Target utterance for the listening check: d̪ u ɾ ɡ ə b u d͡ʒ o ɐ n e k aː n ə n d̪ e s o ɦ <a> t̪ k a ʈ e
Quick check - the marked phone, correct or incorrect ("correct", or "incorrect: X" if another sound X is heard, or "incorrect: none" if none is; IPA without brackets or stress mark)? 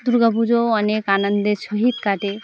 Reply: incorrect: i